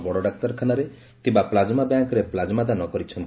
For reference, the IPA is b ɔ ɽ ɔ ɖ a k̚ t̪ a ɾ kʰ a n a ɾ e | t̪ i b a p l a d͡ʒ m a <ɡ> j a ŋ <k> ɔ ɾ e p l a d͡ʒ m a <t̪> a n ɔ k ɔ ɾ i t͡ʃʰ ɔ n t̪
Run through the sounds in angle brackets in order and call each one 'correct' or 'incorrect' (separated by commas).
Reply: incorrect, correct, incorrect